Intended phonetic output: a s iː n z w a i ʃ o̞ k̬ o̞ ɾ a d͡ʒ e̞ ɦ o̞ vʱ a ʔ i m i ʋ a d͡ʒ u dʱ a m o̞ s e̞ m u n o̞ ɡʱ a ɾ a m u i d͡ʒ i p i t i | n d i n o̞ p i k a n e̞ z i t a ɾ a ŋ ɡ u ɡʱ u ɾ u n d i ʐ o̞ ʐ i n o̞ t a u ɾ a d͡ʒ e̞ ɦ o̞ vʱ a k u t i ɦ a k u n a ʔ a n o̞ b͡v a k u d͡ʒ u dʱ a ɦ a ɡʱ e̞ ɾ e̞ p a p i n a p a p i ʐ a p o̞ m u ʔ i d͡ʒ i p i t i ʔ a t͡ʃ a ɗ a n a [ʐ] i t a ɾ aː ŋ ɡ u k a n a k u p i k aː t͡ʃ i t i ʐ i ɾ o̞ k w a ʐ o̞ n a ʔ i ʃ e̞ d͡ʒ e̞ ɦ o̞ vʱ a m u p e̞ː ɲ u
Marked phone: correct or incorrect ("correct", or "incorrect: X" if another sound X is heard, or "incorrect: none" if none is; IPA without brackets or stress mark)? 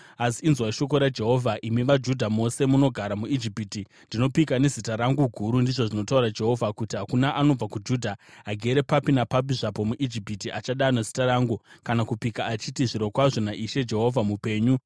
incorrect: z